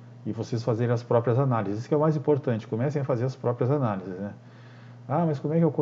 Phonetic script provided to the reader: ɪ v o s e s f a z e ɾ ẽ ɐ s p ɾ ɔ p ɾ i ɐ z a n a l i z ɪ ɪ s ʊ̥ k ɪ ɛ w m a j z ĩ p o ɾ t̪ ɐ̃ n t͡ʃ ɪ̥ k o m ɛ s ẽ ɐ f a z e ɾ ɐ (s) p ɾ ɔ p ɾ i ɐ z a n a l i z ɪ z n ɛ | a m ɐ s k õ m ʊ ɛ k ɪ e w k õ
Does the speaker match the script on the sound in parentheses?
yes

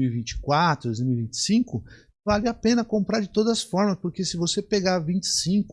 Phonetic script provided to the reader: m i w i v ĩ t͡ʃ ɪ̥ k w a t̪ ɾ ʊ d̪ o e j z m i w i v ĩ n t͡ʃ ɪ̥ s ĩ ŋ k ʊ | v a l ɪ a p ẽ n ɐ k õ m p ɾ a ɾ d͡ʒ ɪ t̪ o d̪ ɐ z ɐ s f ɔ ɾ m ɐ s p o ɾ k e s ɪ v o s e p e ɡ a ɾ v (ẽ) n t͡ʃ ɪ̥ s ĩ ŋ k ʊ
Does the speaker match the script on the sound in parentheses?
no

